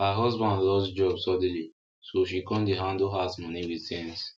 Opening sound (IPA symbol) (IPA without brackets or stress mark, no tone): h